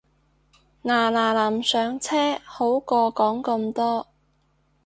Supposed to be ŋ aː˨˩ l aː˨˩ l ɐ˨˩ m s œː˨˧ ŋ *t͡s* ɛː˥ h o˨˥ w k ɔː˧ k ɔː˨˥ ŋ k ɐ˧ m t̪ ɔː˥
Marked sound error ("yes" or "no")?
yes